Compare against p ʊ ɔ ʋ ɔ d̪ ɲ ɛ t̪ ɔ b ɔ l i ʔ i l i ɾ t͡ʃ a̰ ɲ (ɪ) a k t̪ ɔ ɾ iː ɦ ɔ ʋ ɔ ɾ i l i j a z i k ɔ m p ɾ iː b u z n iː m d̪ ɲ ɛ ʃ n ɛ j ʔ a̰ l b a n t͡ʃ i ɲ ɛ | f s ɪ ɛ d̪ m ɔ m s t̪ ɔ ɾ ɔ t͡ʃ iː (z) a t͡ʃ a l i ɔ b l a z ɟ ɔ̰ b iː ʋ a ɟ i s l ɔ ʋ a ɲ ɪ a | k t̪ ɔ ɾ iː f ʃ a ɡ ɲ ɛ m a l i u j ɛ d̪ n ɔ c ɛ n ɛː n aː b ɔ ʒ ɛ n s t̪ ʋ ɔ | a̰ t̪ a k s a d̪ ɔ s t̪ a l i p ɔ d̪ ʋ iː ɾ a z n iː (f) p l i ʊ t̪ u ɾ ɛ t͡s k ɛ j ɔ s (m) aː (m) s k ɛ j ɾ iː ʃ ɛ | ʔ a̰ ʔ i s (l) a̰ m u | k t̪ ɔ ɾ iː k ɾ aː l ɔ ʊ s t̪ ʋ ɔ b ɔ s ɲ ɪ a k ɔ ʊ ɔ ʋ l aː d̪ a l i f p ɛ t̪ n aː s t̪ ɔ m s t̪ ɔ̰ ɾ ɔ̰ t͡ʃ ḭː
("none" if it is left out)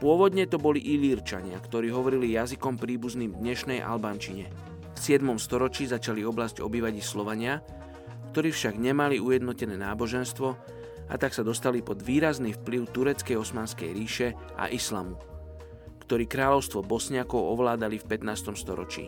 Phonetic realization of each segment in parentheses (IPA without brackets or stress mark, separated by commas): ɪ, z, f, m, n, l